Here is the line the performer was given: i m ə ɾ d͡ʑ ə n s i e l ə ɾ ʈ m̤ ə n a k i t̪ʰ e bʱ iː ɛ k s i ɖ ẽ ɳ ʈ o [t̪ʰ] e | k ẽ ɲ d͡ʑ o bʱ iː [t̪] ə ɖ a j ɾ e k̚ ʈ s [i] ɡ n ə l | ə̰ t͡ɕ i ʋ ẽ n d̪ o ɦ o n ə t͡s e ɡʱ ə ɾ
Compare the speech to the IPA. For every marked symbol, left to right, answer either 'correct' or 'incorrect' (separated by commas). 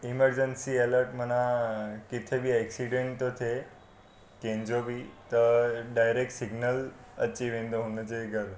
correct, correct, correct